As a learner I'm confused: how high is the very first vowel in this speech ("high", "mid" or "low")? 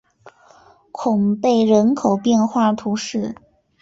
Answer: high